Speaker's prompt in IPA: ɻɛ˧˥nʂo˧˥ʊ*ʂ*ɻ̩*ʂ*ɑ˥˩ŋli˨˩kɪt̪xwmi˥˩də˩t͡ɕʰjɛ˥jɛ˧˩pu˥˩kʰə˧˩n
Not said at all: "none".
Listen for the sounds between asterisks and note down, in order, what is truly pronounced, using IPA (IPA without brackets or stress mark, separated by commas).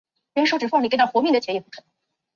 ʈ͡ʂ, f